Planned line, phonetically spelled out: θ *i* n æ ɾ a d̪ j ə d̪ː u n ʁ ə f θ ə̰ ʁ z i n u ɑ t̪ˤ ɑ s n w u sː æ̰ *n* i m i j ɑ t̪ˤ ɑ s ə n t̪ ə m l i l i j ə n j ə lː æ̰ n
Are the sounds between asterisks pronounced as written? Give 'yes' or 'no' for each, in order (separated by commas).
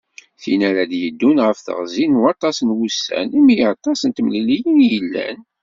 yes, yes